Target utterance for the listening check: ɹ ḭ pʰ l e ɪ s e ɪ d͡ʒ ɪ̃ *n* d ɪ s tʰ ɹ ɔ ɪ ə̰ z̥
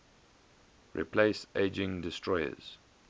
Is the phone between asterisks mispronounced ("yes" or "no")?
yes